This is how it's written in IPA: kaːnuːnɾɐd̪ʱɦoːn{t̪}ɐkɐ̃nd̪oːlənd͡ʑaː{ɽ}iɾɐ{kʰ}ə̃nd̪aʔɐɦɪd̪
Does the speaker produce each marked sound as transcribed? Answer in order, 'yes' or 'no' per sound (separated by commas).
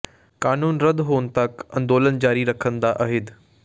yes, no, yes